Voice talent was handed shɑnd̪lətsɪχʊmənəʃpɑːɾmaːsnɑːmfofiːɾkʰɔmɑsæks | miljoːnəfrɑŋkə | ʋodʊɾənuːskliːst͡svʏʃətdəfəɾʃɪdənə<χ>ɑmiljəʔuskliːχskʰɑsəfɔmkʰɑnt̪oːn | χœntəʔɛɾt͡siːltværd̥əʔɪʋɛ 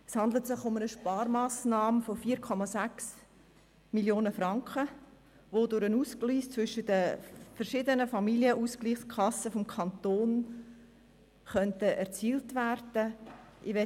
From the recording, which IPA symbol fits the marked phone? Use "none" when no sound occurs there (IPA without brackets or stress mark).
f